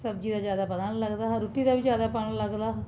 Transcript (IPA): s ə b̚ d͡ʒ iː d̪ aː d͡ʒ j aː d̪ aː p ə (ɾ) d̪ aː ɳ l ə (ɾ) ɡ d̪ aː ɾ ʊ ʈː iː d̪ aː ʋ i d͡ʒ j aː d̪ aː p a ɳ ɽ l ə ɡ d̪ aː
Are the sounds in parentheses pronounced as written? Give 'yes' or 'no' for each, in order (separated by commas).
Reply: no, no